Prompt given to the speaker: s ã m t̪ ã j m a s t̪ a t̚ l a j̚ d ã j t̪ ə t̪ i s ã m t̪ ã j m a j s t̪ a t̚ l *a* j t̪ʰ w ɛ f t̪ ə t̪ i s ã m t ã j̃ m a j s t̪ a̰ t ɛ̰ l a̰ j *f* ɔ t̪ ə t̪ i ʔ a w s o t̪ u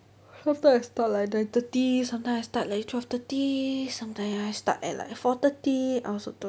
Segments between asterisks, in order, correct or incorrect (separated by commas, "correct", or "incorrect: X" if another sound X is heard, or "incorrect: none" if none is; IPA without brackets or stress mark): correct, correct